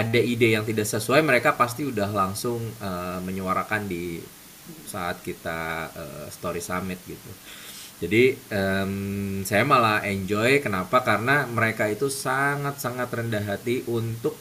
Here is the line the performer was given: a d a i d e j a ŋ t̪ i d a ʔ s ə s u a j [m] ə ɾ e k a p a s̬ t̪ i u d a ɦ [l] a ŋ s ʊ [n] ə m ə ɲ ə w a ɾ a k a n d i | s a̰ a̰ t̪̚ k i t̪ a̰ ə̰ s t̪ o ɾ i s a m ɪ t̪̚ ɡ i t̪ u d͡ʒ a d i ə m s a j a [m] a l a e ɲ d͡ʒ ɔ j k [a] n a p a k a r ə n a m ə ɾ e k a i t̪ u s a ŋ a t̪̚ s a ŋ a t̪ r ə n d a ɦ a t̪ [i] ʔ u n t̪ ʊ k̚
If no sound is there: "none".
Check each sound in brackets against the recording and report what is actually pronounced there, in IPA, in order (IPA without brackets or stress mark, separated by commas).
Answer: m, l, ŋ, m, ə, i